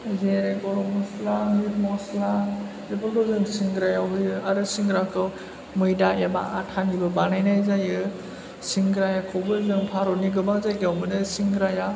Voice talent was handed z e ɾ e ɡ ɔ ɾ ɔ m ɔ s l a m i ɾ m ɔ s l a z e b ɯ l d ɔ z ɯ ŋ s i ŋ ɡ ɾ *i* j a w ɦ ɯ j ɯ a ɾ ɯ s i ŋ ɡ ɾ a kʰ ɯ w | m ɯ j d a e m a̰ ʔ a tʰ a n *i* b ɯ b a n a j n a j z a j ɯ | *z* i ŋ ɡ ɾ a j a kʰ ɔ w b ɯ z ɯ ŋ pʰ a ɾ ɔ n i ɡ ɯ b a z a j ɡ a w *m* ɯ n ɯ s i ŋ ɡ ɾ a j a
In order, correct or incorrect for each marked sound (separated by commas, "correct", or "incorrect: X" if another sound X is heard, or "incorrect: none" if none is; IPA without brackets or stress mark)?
incorrect: a, correct, incorrect: s, correct